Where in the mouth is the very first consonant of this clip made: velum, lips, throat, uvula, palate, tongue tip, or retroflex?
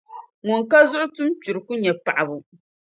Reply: velum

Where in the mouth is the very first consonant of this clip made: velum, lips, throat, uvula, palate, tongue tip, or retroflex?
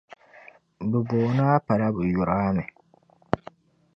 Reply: lips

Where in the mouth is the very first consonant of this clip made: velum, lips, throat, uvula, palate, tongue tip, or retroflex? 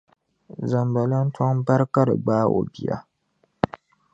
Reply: tongue tip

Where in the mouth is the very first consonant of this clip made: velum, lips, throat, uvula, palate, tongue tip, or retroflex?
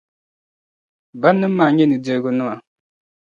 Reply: lips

